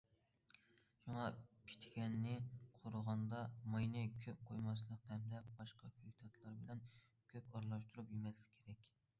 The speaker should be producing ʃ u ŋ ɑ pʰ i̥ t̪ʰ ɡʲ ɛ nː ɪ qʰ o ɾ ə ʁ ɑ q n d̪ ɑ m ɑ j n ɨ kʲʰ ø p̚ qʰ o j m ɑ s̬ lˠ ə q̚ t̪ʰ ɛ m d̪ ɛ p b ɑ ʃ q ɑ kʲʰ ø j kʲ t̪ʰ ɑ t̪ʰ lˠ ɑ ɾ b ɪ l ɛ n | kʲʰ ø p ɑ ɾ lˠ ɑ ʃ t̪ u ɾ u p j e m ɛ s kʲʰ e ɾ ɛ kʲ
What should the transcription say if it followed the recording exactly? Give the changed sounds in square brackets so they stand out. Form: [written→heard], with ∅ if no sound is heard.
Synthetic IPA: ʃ u ŋ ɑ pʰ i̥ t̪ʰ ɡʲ ɛ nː ɪ qʰ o ɾ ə ʁ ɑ [q→∅] n d̪ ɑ m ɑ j n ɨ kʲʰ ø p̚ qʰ o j m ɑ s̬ lˠ ə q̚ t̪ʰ ɛ m d̪ ɛ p b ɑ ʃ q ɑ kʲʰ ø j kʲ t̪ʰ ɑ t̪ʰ lˠ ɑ ɾ b ɪ l ɛ n | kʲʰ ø p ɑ ɾ lˠ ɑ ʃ t̪ u ɾ u p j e m ɛ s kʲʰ e ɾ ɛ kʲ